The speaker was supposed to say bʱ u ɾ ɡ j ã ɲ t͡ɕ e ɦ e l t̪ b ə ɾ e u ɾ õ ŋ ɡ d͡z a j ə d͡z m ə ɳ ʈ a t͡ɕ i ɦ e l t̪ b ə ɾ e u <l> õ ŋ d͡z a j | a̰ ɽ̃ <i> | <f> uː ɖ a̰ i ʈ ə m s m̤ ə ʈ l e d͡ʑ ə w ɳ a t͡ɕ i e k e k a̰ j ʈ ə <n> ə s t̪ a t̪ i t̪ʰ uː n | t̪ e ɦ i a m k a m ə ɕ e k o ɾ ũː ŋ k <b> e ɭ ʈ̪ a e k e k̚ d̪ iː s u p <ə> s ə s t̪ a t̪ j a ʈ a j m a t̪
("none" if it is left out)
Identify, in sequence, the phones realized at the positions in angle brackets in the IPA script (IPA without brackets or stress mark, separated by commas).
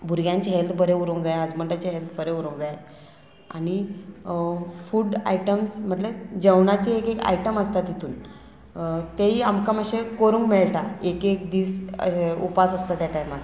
ɾ, i, f, m, m, a